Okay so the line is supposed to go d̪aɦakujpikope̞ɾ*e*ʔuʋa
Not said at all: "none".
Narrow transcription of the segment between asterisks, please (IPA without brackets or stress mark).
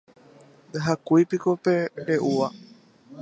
e